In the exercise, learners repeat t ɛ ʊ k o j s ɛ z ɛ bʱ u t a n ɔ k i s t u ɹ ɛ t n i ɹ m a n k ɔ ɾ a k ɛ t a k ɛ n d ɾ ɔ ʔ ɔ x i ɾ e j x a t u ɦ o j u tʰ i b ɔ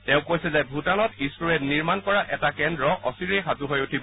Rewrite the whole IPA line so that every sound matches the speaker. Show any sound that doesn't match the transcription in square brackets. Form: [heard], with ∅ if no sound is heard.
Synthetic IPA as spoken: t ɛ [ʊ̃] k o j s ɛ z ɛ bʱ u t a n ɔ [t] i s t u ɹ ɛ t n i ɹ m a n k ɔ [ɹ] a [ʔ] ɛ t a k ɛ n d [ɹ] ɔ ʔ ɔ [s] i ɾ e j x a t u ɦ o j u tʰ i b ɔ